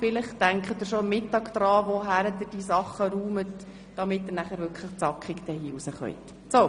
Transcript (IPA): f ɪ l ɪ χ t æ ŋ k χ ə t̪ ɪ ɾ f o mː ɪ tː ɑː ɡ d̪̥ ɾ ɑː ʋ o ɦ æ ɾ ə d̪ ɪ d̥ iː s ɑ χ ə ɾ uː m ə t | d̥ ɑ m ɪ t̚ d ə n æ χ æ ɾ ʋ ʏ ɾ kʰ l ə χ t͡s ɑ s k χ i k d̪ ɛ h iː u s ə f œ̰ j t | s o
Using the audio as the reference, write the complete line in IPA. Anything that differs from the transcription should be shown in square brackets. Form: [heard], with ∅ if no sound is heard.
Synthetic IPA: f ɪ l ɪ χ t æ ŋ k χ ə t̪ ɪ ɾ [ʃ] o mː ɪ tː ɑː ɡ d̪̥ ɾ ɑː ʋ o ɦ æ ɾ ə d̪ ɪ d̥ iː s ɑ χ ə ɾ uː m ə t | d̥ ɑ m ɪ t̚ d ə n æ χ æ ɾ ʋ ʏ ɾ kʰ l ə χ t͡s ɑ [∅] k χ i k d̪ ɛ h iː u s ə [χ] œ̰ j t | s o